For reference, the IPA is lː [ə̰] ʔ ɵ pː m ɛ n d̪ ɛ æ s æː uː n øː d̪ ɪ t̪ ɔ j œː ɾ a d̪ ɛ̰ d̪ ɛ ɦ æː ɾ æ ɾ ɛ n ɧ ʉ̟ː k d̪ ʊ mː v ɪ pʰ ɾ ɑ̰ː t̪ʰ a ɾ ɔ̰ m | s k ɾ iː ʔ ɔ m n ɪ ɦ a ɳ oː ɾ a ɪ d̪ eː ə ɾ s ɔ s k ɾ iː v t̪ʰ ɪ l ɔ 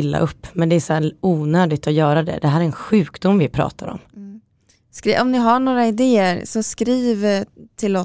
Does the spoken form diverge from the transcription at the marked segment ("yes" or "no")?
yes